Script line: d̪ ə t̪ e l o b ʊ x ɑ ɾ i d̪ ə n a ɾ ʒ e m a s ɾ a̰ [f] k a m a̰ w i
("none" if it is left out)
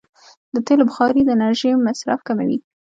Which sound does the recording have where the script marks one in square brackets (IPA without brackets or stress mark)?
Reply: f